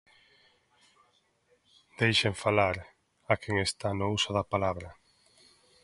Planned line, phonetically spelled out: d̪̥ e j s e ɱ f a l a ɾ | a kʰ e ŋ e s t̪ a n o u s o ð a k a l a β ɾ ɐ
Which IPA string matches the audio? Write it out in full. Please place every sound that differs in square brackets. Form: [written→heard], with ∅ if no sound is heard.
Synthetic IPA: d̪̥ e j [s→ʃ] e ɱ f a l a ɾ | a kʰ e ŋ e s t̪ a n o u s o ð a [k→p] a l a β ɾ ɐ